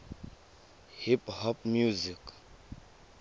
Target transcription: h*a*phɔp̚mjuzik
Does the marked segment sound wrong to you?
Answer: yes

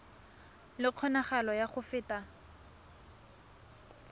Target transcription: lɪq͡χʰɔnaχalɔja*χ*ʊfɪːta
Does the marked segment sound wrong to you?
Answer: no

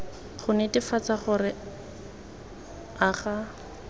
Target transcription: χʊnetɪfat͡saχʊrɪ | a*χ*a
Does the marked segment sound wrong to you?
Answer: no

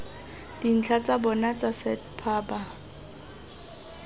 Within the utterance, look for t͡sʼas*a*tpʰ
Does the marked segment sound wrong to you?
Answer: yes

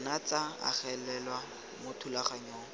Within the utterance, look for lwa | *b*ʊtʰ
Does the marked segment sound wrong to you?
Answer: yes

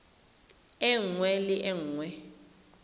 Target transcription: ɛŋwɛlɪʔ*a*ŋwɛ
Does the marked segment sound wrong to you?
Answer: yes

